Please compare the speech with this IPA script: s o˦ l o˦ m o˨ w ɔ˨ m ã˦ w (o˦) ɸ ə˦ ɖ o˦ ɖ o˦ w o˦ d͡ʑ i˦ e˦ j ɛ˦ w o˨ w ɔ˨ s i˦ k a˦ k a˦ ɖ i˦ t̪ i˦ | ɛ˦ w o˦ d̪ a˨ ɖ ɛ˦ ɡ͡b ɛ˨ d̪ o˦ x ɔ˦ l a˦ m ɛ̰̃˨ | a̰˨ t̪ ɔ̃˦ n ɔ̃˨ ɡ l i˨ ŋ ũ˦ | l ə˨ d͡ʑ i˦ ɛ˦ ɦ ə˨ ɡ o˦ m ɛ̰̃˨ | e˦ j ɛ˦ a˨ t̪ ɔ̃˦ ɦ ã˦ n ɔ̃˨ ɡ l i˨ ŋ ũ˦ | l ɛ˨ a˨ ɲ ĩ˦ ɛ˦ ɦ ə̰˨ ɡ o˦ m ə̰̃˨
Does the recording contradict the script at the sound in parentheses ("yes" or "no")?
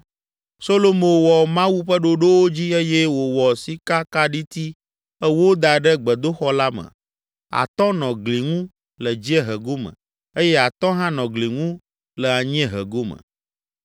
yes